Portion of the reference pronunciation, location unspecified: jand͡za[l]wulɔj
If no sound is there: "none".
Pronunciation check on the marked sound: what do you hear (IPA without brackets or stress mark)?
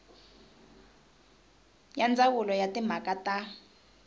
none